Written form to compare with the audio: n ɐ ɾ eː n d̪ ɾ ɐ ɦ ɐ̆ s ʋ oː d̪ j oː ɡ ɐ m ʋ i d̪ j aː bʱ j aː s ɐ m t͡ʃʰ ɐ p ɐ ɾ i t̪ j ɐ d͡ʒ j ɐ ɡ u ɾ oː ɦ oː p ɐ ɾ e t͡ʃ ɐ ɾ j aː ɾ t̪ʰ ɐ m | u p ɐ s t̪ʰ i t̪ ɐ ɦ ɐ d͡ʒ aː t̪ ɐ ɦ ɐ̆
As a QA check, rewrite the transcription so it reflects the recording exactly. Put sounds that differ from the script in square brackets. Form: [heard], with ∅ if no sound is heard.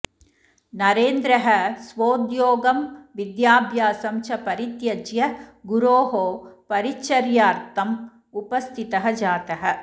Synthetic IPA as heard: n ɐ ɾ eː n d̪ ɾ ɐ ɦ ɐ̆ s ʋ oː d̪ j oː ɡ ɐ m ʋ i d̪ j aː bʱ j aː s ɐ m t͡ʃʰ ɐ p ɐ ɾ i t̪ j ɐ d͡ʒ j ɐ ɡ u ɾ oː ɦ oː p ɐ ɾ [i] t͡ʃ ɐ ɾ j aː ɾ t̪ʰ ɐ m | u p ɐ s t̪ʰ i t̪ ɐ ɦ ɐ d͡ʒ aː t̪ ɐ ɦ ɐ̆